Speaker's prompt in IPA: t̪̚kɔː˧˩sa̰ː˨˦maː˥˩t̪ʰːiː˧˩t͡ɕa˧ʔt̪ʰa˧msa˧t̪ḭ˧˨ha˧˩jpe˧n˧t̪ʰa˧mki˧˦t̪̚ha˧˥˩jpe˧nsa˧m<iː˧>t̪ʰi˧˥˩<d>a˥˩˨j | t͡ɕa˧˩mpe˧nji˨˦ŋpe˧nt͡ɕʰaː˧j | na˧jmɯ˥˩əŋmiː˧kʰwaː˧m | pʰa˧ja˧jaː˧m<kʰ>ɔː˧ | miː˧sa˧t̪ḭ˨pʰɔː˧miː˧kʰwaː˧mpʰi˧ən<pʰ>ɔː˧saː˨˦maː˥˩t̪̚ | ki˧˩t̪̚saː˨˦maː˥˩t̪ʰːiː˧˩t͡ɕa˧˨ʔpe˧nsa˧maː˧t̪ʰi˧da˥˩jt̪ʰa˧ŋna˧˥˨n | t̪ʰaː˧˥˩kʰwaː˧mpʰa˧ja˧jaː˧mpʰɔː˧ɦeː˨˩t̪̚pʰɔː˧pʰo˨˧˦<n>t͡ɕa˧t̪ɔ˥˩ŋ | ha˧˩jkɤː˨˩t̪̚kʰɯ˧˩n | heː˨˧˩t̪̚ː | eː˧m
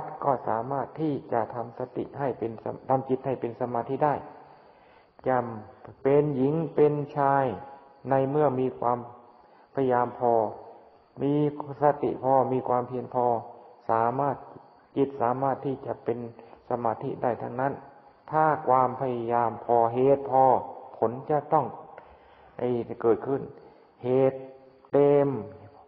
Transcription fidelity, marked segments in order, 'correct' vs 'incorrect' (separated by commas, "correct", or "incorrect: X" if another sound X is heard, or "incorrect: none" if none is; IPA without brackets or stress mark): incorrect: aː˧, correct, incorrect: pʰ, correct, correct